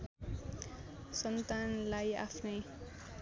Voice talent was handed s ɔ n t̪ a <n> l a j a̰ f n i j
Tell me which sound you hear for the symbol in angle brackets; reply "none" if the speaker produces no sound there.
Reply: n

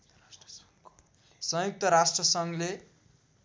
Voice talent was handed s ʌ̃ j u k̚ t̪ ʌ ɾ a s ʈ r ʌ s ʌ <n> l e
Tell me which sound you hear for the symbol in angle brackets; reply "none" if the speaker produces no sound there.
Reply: ŋ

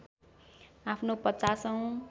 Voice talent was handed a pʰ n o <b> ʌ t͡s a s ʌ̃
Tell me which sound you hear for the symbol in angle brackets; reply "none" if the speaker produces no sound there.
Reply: p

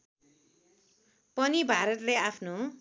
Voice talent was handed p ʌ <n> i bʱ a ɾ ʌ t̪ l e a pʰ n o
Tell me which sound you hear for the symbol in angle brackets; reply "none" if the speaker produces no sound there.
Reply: n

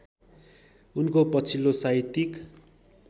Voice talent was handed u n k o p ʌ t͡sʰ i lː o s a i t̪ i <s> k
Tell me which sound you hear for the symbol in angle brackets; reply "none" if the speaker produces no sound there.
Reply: none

